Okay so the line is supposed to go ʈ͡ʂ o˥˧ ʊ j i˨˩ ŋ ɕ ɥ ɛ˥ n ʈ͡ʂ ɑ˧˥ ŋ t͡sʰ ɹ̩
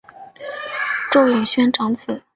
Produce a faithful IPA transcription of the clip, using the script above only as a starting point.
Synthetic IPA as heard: ʈ͡ʂ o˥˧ ʊ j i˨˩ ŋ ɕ ɥ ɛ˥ n ʈ͡ʂ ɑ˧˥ ŋ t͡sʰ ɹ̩